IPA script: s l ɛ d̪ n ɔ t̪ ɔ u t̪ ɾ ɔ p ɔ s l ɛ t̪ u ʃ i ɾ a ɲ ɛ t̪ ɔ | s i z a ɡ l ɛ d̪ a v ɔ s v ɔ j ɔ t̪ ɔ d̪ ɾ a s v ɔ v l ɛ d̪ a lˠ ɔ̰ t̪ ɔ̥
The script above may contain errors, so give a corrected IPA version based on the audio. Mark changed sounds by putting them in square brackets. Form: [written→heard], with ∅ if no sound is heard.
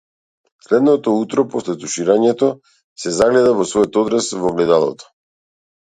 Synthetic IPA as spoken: s l ɛ d̪ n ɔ t̪ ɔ u t̪ ɾ ɔ p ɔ s l ɛ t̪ u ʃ i ɾ a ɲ ɛ t̪ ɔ | s [i→ɛ] z a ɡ l ɛ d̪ a v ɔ s v ɔ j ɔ t̪ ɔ d̪ ɾ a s v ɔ v l ɛ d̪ a lˠ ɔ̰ t̪ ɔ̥